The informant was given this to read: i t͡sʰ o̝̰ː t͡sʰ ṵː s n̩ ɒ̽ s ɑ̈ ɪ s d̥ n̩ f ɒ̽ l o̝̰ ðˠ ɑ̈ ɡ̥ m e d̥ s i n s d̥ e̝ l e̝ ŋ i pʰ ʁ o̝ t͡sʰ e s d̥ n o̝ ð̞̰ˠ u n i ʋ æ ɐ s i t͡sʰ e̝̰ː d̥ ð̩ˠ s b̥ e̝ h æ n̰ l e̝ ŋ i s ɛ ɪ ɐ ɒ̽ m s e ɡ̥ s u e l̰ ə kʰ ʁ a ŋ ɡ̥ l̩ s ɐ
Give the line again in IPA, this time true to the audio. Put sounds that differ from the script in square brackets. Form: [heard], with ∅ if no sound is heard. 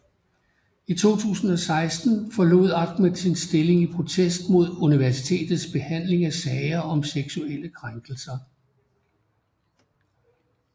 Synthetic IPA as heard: i t͡sʰ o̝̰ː t͡sʰ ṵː s n̩ ɒ̽ s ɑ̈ ɪ s d̥ n̩ f ɒ̽ l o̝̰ ðˠ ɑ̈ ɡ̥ m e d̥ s i n s d̥ e̝ l e̝ ŋ i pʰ ʁ o̝ t͡sʰ e s d̥ [m] o̝ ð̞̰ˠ u n i ʋ æ ɐ s i t͡sʰ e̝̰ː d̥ ð̩ˠ s b̥ e̝ h æ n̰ l e̝ ŋ [æ] s ɛ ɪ ɐ ɒ̽ m s e ɡ̥ s u e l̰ ə kʰ ʁ a ŋ ɡ̥ l̩ s ɐ